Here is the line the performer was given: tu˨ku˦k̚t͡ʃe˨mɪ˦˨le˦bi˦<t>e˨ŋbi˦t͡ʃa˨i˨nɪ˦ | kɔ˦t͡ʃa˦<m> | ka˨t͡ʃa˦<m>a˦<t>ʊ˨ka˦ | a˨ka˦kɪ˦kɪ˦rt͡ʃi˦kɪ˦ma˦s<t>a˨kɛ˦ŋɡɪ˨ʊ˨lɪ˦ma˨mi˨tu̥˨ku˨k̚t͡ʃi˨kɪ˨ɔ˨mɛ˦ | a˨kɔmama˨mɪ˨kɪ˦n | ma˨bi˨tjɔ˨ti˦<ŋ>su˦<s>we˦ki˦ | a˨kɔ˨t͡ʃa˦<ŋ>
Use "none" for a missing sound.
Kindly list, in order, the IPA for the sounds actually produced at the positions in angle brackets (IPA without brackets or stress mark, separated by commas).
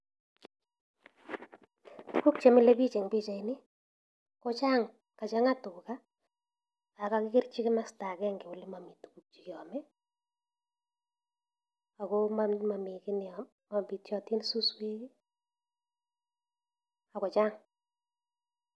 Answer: t͡ʃ, ŋ, ŋ, t, t, n, s, ŋ